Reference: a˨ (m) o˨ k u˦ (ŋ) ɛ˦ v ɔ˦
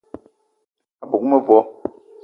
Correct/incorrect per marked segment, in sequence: incorrect: b, incorrect: m

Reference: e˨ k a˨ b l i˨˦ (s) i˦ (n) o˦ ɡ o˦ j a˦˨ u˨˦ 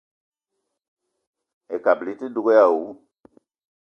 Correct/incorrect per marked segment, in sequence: incorrect: t, incorrect: d

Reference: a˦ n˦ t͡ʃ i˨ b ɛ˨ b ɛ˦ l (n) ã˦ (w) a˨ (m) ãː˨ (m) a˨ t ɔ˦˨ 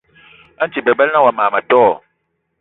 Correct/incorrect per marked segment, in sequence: correct, correct, correct, correct

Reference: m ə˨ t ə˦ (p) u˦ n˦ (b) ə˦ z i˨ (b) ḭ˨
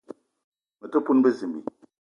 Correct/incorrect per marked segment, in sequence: correct, correct, incorrect: m

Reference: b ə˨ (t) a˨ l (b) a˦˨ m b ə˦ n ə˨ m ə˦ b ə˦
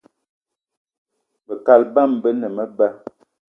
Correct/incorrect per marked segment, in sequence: incorrect: k, correct

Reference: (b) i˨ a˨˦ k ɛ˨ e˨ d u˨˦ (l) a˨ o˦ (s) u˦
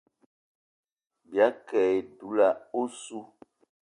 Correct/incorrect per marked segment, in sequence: correct, correct, correct

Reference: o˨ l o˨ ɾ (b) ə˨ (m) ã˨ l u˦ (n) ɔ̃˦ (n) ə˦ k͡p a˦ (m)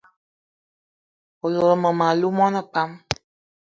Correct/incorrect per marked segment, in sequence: incorrect: m, correct, incorrect: m, correct, correct

